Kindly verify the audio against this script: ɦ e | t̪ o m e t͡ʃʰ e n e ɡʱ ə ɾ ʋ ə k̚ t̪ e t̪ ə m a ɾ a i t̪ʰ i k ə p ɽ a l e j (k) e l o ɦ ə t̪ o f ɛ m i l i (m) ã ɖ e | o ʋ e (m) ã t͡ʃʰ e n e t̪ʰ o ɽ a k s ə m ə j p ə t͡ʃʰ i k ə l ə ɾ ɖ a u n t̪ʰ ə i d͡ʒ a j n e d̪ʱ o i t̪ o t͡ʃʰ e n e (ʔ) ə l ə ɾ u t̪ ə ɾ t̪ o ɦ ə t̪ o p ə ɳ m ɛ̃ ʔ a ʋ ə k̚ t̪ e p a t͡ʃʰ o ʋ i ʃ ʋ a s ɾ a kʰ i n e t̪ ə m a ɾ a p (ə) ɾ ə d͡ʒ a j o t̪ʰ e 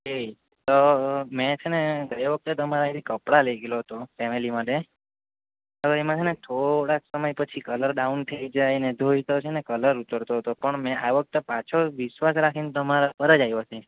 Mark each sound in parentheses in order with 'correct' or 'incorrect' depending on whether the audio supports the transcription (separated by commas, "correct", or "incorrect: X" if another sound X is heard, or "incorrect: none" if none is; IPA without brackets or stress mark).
incorrect: ɡ, correct, correct, incorrect: k, correct